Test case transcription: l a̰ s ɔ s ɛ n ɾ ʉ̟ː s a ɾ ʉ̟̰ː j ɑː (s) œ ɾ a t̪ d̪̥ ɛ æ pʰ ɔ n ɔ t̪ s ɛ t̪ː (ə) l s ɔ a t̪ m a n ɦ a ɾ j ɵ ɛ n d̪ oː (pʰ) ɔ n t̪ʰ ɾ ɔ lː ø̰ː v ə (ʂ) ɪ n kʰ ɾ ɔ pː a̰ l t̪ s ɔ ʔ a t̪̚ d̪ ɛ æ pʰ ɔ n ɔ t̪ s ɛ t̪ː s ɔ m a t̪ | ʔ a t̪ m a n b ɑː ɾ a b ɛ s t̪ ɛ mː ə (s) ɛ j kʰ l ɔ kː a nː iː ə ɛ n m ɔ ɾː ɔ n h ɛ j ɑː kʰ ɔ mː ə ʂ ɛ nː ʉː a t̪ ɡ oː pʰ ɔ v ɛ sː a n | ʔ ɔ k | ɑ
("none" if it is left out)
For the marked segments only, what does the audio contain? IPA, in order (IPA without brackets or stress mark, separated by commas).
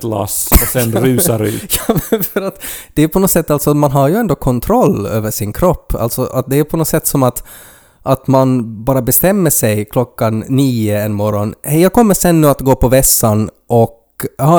f, a, kʰ, ʂ, ʂ